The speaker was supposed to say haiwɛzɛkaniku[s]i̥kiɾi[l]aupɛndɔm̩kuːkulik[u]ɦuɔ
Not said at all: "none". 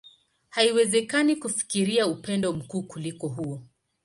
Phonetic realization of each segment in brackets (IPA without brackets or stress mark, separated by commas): f, none, ɔ